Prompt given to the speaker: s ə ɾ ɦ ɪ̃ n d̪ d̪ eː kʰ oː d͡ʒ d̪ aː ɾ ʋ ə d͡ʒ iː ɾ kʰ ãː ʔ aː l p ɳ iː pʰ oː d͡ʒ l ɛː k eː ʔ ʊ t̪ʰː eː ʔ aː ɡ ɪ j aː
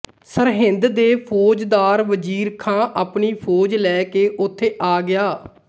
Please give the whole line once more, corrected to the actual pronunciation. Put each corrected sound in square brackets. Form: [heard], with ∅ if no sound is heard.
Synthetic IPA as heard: s ə ɾ ɦ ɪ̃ n d̪ d̪ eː [pʰ] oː d͡ʒ d̪ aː ɾ ʋ ə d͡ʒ iː ɾ kʰ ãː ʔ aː [∅] p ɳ iː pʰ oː d͡ʒ l ɛː k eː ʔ ʊ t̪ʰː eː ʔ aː ɡ ɪ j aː